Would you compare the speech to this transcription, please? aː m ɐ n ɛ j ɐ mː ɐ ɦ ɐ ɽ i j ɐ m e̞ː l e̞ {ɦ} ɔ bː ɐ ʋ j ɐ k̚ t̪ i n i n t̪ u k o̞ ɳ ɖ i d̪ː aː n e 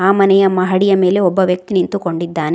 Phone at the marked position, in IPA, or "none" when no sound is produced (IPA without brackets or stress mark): none